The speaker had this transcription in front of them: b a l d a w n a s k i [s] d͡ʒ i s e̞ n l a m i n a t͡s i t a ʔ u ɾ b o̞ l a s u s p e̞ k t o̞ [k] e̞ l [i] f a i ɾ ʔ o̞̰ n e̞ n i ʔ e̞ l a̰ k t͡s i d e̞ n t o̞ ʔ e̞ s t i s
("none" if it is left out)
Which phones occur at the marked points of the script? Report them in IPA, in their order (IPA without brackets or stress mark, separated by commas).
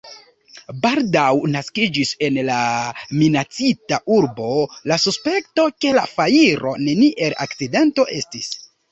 none, k, a